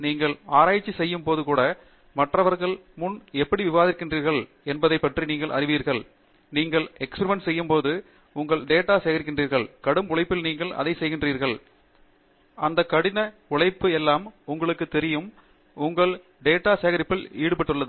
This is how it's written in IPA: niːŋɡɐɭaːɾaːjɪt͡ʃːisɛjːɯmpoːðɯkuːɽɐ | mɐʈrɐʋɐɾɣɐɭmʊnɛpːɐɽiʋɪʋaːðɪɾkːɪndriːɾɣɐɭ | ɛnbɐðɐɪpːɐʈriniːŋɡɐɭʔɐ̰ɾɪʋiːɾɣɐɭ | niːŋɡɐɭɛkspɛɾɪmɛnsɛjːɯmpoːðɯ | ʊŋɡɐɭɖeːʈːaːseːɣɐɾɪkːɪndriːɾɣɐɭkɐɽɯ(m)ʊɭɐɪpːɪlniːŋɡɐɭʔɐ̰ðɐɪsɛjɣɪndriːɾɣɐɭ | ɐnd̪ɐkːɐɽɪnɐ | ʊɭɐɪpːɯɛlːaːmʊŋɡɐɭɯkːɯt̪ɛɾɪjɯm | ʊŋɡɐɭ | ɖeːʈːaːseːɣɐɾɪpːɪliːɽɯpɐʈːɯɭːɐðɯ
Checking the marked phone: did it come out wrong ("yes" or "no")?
no